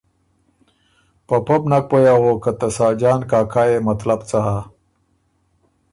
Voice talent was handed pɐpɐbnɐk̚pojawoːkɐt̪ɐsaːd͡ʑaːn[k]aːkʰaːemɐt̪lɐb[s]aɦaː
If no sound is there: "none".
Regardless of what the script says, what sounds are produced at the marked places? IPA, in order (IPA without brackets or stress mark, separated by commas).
k, t͡s